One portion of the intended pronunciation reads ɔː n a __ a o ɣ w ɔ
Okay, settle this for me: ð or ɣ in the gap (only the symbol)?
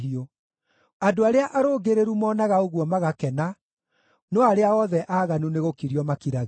ɣ